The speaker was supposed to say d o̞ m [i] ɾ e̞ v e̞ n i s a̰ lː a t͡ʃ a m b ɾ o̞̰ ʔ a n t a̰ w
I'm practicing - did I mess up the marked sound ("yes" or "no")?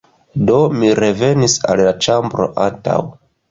no